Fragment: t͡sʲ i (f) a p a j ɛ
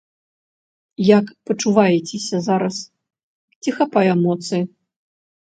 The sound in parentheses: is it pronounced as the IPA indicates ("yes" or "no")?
no